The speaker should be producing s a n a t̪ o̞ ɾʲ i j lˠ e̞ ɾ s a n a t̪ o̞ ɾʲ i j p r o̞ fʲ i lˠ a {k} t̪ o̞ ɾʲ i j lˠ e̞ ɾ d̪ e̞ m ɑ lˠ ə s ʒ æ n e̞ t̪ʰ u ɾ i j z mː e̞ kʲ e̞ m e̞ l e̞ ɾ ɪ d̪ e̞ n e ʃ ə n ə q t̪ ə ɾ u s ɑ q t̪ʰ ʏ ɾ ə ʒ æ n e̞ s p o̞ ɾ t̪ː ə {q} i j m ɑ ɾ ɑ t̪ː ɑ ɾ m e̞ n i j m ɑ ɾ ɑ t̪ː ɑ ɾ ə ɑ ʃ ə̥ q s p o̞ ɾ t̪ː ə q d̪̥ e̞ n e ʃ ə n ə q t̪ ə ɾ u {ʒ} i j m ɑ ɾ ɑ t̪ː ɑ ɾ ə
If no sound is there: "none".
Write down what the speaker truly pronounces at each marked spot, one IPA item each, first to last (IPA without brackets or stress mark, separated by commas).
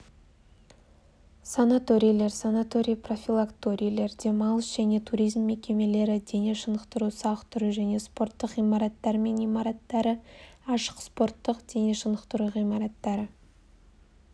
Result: k, q, ʁ